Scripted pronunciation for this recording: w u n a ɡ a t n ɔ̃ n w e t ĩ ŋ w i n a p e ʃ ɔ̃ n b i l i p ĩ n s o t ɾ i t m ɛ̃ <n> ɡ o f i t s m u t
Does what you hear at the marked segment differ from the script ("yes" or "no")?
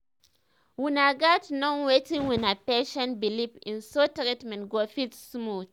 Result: no